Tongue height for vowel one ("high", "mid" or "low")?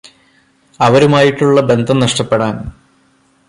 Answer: low